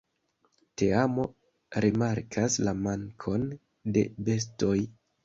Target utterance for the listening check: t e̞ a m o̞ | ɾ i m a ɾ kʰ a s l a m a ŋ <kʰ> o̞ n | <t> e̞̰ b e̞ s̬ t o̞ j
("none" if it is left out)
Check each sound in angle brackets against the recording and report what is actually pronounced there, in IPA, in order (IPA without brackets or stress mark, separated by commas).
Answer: kʰ, d